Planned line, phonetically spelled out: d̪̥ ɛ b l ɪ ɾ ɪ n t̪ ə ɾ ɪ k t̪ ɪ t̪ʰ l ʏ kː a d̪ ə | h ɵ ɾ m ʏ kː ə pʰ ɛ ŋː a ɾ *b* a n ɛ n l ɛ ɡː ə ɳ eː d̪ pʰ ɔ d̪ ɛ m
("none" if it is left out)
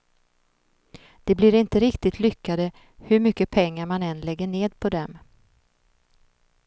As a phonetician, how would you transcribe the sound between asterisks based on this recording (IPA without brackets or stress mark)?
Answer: m